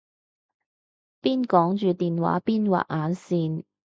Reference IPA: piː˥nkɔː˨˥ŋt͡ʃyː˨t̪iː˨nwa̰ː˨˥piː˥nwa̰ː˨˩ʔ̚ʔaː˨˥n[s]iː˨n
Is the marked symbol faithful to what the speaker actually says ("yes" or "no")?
yes